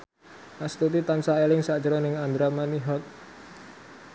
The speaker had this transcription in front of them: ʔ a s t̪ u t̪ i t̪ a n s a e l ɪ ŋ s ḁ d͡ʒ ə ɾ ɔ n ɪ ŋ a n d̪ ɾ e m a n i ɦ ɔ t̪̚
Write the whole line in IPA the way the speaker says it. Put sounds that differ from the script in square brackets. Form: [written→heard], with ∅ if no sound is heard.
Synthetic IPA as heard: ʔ a s t̪ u t̪ i t̪ a n s a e l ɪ ŋ s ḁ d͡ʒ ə ɾ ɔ n ɪ ŋ a n d̪ ɾ [e→a] m a n i ɦ ɔ t̪̚